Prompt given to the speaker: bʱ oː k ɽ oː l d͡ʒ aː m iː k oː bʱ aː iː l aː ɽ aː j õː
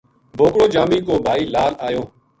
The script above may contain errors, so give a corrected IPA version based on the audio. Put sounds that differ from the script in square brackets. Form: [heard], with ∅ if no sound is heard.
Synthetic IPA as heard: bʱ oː k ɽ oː [∅] d͡ʒ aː m iː k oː bʱ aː iː l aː [l] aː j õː